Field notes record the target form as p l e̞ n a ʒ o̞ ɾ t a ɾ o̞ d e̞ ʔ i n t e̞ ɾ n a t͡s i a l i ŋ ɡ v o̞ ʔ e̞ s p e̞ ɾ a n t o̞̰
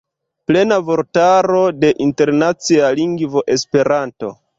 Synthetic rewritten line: p l e̞ n a v o̞ ɾ t a ɾ o̞ d e̞ ʔ i n t e̞ ɾ n a t͡s i a l i ŋ ɡ v o̞ ʔ e̞ s p e̞ ɾ a n t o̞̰

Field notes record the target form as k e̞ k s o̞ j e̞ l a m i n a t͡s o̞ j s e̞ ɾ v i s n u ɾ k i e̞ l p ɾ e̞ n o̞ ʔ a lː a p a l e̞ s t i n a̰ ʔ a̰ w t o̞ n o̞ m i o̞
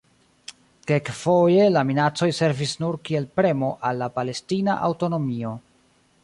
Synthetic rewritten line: k e̞ k f o̞ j e̞ l a m i n a t͡s o̞ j s e̞ ɾ v i s n u ɾ k i e̞ l p ɾ e̞ m o̞ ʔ a lː a p a l e̞ s t i n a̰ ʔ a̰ w t o̞ n o̞ m i o̞

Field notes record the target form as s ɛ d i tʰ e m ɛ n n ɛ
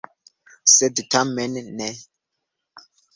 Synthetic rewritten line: s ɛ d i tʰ a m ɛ n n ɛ

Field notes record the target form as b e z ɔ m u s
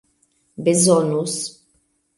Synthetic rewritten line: b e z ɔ n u s

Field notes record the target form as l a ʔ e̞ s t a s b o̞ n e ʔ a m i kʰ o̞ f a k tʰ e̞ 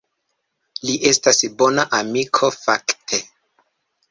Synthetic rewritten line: l i ʔ e̞ s t a s b o̞ n a ʔ a m i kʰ o̞ f a k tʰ e̞

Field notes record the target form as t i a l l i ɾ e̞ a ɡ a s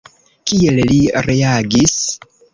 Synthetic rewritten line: k i e l l i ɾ e̞ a ɡ i s

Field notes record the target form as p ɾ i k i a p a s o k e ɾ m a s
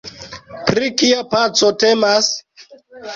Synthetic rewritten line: p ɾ i k i a p a t͡s o t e m a s

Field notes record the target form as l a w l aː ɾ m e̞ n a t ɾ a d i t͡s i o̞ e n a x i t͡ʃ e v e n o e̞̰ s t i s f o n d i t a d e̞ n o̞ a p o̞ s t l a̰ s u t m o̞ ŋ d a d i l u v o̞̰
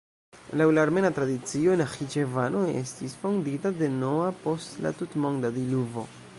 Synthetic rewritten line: l a w l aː ɾ m e̞ n a t ɾ a d i t͡s i o̞ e n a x i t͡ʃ e v a n o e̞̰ s t i s f o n d i t a d e̞ n o̞ a p o̞ s t l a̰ t u t m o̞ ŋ d a d i l u v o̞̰

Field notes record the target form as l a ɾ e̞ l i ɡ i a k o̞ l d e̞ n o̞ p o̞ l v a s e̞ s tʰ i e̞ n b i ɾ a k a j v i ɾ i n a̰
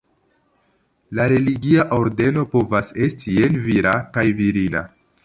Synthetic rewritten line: l a ɾ e̞ l i ɡ i a ʔ o̞ ɾ d e̞ n o̞ p o̞ v a s e̞ s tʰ i e̞ n v i ɾ a k a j v i ɾ i n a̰

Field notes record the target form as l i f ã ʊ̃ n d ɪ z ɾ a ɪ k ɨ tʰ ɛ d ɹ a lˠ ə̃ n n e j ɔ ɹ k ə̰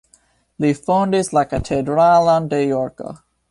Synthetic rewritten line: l i f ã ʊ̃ n d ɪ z l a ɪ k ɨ tʰ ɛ d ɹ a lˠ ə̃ n d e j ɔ ɹ k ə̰

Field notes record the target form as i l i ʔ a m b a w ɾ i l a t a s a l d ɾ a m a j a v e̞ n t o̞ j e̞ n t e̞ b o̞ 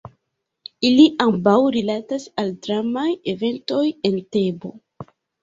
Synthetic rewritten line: i l i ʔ a m b a w ɾ i l a t a s a l d ɾ a m a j e v e̞ n t o̞ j e̞ n t e̞ b o̞

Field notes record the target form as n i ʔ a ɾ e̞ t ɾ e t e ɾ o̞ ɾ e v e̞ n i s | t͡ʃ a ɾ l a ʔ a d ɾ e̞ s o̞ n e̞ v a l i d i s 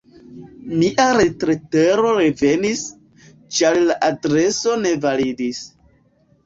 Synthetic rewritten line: m i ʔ a ɾ e̞ t ɾ e t e ɾ o̞ ɾ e v e̞ n i s | t͡ʃ a ɾ l a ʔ a d ɾ e̞ s o̞ n e̞ v a l i d i s

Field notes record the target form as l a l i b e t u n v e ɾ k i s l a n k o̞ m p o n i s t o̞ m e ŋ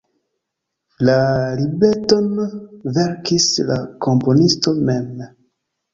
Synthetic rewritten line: l a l i b e t o n v e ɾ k i s l a k o̞ m p o n i s t o̞ m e m

